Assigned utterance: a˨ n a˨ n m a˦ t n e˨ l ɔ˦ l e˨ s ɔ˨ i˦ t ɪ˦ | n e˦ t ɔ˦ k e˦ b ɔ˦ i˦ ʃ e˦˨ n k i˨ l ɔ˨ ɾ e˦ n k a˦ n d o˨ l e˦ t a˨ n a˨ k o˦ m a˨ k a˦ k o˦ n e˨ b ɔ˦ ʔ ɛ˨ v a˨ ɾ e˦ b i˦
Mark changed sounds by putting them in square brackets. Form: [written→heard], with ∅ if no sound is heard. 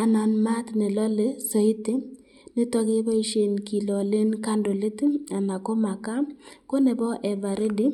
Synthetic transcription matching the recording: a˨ n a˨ n m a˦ t n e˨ l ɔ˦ l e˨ s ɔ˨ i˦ t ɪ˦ | n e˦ t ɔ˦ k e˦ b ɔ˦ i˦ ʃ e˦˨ n k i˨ l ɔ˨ [ɾ→l] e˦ n k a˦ n d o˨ l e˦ t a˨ n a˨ k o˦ m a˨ k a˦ k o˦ n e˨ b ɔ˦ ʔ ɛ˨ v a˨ ɾ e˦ [b→d] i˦